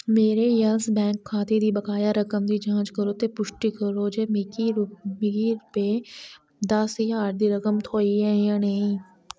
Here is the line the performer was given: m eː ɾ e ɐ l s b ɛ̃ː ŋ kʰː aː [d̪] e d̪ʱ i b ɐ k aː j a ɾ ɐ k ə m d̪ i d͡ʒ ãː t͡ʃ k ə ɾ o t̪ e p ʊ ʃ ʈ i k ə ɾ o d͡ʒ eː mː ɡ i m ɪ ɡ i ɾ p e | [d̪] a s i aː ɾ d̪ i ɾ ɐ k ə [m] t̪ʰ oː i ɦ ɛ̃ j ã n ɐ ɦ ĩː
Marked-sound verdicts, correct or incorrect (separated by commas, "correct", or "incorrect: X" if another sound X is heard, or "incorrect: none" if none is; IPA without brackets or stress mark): incorrect: t̪, correct, correct